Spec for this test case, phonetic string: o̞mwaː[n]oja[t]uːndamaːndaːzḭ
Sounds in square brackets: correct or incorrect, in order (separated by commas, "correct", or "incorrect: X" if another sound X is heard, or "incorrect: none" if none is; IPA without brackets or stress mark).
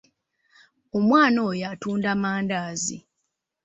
correct, correct